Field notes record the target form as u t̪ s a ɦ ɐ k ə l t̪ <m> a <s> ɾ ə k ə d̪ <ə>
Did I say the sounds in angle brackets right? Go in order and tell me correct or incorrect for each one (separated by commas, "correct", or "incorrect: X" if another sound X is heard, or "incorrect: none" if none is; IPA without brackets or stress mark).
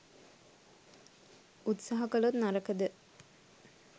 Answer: incorrect: n, incorrect: none, correct